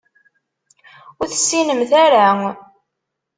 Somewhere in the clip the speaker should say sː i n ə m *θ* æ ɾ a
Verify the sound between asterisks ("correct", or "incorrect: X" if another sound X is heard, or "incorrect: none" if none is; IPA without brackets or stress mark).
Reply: correct